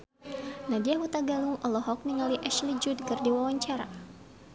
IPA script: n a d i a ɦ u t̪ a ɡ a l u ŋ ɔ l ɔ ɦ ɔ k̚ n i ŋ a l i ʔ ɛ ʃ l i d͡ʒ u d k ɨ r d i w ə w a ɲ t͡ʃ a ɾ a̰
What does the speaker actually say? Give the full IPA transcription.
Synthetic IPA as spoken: n a d i a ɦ u t̪ a ɡ a l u ŋ ɔ l ɔ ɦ ɔ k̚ n i ŋ a l i ʔ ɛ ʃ l i d͡ʒ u d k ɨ r d i w a w a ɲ t͡ʃ a ɾ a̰